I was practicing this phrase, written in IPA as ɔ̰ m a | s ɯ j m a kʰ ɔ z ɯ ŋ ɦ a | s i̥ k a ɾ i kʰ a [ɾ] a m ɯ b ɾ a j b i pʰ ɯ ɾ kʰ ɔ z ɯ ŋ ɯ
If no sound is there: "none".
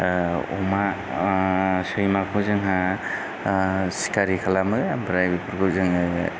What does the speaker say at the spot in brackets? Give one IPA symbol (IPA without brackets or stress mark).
l